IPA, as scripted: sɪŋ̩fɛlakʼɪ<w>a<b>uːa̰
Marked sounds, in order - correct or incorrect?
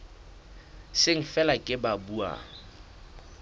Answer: incorrect, correct

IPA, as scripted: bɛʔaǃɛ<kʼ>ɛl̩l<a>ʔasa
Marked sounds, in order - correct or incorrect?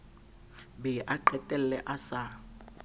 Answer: incorrect, incorrect

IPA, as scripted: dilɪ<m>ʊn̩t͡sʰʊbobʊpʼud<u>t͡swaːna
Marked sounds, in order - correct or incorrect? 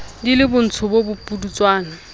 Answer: incorrect, correct

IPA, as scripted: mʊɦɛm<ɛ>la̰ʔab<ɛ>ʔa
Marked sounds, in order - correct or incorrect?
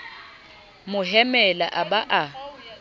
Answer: correct, incorrect

